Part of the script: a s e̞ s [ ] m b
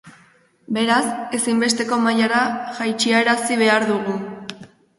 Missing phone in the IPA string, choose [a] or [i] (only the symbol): i